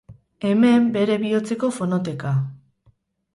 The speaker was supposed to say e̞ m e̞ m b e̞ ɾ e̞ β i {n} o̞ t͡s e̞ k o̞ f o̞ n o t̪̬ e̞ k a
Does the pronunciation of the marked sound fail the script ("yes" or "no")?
yes